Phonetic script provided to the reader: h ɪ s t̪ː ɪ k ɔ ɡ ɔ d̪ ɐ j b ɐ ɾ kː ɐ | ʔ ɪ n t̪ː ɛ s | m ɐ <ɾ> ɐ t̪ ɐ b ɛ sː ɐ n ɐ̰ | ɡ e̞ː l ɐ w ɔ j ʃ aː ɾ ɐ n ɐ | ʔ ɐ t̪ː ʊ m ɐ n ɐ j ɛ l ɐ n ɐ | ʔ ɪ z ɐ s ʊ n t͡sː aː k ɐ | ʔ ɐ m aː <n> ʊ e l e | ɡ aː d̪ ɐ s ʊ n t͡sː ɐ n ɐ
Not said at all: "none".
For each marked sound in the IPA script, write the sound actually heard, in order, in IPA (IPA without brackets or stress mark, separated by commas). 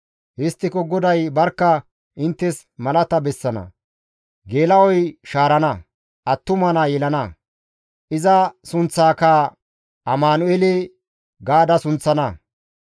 l, n